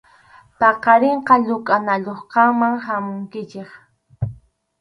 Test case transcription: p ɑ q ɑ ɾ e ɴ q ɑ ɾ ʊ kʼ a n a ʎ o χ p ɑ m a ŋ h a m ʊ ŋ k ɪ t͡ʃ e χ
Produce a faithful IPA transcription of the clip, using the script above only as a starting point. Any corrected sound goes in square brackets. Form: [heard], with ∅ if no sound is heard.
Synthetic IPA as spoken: p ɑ q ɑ ɾ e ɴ q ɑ [ʎ] ʊ kʼ a n a ʎ o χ [q] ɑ m a ŋ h a m ʊ ŋ k ɪ t͡ʃ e χ